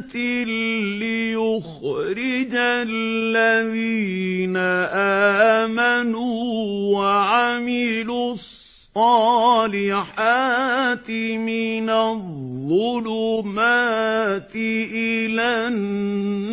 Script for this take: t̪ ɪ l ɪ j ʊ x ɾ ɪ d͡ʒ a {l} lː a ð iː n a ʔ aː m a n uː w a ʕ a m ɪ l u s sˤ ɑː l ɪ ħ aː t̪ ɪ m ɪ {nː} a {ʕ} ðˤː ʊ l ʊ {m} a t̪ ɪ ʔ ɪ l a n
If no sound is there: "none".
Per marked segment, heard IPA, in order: l, n, ð, m

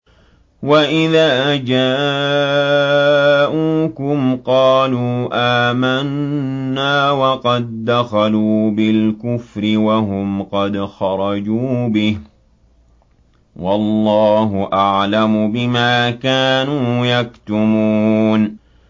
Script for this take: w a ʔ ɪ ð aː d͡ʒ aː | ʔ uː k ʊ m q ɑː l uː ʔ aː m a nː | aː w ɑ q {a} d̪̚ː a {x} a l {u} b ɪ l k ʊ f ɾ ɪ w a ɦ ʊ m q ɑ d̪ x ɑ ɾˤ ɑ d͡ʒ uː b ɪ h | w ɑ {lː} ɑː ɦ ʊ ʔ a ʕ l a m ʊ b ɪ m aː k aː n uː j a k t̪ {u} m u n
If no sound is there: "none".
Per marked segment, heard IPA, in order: ɑ, x, uː, lː, ʊ

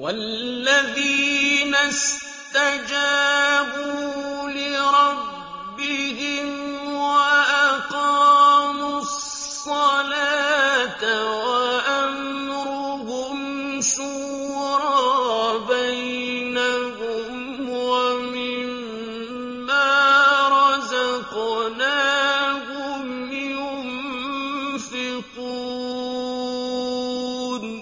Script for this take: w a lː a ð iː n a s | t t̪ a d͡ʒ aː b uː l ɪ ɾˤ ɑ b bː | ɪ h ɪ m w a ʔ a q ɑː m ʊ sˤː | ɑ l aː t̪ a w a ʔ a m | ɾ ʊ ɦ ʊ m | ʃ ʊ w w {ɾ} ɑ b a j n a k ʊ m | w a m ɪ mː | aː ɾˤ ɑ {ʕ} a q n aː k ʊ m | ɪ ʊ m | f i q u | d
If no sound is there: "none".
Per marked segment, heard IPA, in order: ɾ, z

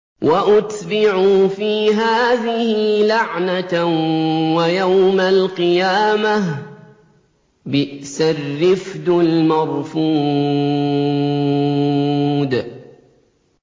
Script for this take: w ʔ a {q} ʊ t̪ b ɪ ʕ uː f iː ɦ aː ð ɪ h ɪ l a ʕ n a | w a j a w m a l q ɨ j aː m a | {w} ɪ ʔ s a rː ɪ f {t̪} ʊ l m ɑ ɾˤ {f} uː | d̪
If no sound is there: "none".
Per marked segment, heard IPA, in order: ʔ, b, d̪, f

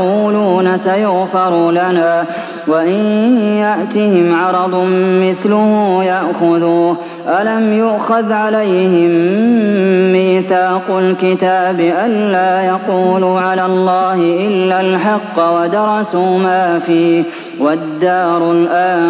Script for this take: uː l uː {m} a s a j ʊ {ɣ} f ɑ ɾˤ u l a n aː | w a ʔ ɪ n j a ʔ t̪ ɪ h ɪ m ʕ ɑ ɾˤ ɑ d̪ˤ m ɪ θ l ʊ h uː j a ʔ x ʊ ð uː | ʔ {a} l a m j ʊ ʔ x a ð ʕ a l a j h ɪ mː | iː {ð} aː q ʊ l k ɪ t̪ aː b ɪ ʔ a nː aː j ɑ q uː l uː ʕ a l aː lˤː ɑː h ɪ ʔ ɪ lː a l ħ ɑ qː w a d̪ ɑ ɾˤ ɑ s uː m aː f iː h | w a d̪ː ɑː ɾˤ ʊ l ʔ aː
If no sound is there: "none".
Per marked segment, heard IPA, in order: n, ɣ, a, θ

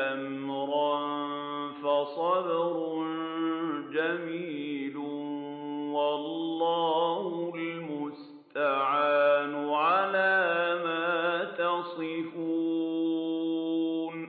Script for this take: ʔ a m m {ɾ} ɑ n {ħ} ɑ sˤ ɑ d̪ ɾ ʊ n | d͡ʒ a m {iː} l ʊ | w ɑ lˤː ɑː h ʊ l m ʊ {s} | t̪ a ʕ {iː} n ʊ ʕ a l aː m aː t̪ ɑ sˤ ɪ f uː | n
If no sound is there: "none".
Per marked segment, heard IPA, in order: ɾ, f, iː, s, aː

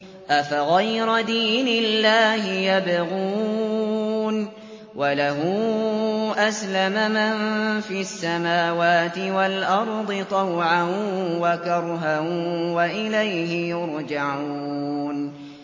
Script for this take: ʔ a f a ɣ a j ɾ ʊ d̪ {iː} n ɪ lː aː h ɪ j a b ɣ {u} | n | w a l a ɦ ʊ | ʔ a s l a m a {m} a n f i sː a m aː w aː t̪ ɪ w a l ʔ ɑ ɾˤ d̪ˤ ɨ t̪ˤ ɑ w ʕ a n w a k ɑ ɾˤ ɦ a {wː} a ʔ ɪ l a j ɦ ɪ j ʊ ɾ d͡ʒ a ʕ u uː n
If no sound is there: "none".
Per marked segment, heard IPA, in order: iː, uː, m, w

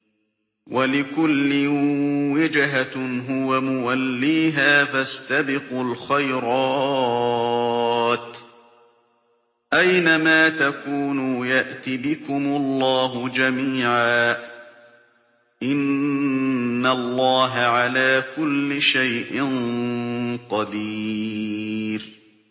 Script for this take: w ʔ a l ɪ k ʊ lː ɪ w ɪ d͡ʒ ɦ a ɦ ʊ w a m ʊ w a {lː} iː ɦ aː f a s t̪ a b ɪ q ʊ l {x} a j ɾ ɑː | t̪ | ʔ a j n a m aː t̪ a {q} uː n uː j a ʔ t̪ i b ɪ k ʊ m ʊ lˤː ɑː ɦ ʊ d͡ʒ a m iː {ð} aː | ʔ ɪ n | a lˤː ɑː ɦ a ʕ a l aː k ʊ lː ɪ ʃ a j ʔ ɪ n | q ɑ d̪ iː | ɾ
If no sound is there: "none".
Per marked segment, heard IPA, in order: lː, x, k, ʕ

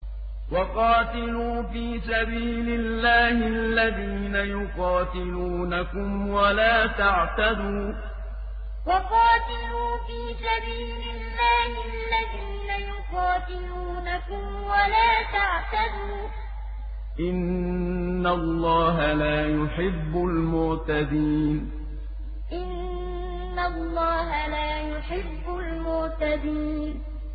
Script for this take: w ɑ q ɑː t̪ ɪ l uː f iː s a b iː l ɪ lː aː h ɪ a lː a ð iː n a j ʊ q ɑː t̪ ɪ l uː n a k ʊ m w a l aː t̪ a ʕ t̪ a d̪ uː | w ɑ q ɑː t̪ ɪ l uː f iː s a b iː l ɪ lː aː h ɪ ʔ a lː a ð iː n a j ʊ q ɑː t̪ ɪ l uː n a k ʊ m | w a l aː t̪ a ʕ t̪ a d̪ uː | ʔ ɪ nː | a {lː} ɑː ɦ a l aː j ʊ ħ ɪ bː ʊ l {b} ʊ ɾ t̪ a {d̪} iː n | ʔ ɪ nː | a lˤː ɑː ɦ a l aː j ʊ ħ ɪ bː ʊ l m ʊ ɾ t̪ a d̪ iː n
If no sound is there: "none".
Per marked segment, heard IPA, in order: lː, m, d̪

